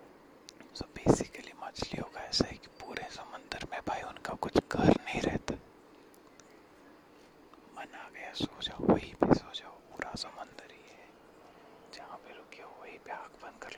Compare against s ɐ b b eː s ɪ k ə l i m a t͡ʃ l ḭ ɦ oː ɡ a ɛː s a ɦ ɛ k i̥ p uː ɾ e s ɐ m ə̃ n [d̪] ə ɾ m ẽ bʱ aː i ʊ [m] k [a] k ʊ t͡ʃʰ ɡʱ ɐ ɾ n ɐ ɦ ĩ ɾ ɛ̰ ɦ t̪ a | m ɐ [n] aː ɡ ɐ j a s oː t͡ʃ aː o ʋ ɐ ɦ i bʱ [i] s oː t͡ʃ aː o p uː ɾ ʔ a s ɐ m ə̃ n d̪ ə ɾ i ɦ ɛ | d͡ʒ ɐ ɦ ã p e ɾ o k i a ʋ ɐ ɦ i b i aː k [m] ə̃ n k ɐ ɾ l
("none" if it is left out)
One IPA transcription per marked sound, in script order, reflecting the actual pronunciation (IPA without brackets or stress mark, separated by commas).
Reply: d̪, n, a, n, i, b